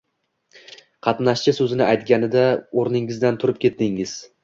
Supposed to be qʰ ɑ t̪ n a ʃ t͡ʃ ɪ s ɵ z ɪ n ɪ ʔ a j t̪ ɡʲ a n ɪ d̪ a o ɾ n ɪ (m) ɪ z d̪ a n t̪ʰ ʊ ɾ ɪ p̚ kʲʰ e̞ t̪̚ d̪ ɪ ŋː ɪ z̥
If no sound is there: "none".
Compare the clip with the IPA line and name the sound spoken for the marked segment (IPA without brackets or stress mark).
ŋ